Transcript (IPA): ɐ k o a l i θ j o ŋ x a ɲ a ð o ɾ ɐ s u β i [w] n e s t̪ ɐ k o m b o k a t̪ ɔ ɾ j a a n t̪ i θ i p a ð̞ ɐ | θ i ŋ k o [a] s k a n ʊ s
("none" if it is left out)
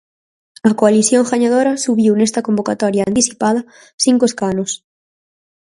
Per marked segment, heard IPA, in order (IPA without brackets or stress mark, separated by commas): w, e